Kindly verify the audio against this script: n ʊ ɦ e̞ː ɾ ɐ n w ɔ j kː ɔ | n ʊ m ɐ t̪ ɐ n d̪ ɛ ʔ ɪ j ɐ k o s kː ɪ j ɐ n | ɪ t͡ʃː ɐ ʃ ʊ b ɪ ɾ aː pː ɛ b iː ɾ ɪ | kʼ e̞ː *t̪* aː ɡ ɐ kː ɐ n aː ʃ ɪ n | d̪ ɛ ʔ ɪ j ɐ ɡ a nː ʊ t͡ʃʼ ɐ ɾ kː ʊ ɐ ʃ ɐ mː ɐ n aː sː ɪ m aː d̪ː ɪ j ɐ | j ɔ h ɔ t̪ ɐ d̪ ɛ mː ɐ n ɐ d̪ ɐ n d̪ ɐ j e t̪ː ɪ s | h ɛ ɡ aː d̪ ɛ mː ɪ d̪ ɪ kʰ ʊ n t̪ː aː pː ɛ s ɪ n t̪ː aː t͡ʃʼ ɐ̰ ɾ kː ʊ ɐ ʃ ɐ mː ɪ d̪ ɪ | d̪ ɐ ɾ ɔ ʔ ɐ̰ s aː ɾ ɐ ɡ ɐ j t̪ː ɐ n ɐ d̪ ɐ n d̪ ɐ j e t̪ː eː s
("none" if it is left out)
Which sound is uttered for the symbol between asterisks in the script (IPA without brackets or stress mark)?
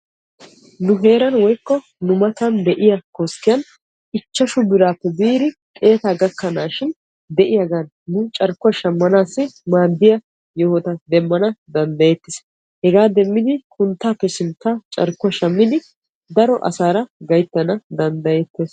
t̪